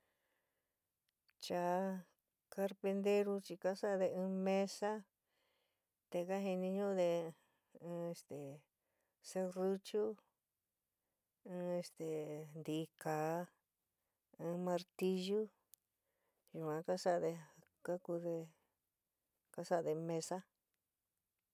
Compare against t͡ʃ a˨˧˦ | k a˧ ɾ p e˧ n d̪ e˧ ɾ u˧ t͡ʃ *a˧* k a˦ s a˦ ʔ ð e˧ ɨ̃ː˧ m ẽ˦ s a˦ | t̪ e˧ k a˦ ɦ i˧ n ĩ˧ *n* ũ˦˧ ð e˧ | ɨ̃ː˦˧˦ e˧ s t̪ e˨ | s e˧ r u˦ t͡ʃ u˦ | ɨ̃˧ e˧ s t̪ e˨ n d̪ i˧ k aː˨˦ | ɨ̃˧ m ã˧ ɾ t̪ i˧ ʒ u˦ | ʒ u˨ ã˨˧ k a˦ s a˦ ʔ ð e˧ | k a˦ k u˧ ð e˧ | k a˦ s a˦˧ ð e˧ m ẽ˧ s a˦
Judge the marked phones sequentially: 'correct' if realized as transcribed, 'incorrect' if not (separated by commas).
incorrect, incorrect